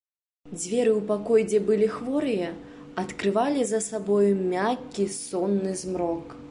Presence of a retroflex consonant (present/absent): absent